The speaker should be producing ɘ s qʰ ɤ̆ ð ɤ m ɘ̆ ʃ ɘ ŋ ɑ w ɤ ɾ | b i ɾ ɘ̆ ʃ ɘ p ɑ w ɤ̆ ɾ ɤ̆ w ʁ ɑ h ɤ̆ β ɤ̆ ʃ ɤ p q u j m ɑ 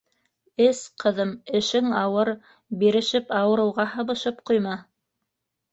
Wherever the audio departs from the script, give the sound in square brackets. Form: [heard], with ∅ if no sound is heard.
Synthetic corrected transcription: ɘ s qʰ ɤ̆ ð ɤ m ɘ̆ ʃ ɘ ŋ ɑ w ɤ ɾ | b i ɾ ɘ̆ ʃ ɘ p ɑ w ɤ̆ ɾ ɤ̆ w ʁ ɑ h ɤ̆ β ɤ̆ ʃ ɤ p q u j m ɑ